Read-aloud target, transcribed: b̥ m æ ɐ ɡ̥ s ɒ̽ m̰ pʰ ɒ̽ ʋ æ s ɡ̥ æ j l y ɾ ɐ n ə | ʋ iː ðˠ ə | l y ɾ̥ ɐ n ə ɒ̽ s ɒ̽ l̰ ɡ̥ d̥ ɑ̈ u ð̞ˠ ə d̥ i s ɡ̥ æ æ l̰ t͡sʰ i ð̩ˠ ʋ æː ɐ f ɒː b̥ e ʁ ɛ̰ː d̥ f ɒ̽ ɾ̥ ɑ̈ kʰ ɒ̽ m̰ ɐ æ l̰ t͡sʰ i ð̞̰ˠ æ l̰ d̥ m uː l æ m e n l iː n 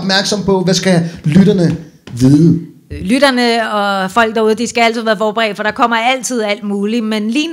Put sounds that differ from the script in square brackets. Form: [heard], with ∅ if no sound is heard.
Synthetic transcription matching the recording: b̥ m æ ɐ ɡ̥ s ɒ̽ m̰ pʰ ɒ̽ ʋ æ s ɡ̥ æ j l y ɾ ɐ n ə | ʋ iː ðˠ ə | l y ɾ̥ ɐ n ə ɒ̽ [f] ɒ̽ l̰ ɡ̥ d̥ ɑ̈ u ð̞ˠ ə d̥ i s ɡ̥ æ æ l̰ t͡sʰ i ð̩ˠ ʋ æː ɐ f ɒː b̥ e ʁ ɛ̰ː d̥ f ɒ̽ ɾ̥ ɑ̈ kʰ ɒ̽ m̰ ɐ æ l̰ t͡sʰ i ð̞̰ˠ æ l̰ d̥ m uː l [i] m e n l iː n